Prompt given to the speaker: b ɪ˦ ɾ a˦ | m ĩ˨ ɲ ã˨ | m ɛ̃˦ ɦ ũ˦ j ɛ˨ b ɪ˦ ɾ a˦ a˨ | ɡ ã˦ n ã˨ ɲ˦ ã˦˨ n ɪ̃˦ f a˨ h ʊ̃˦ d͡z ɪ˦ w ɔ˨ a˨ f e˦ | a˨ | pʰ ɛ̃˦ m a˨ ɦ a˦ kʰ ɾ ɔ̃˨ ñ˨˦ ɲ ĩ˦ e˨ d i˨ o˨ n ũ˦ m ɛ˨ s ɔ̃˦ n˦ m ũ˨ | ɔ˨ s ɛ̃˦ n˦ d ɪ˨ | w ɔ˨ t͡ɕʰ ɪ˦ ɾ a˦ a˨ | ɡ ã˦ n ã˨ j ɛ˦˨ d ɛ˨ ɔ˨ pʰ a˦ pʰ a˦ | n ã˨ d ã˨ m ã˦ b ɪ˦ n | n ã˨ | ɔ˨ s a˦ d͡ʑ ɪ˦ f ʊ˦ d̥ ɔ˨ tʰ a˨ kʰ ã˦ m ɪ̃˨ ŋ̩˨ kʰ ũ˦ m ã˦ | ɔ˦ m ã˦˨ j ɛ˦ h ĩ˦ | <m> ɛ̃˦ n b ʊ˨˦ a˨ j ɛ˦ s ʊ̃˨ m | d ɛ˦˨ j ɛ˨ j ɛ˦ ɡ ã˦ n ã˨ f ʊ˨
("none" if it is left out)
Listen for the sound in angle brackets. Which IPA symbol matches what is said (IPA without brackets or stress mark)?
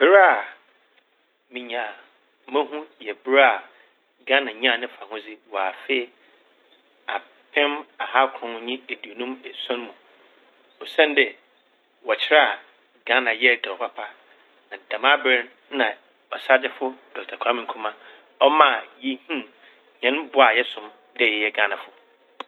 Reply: ɲ